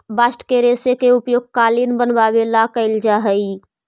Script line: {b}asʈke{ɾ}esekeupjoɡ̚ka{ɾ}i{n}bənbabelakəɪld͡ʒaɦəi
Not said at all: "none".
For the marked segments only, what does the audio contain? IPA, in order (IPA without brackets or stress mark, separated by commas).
b, ɾ, l, n